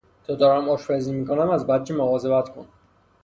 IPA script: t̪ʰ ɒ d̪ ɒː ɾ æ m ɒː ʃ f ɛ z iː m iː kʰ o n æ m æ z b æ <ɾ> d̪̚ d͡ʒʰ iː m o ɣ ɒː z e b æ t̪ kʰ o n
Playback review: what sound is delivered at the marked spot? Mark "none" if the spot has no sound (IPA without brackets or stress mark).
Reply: none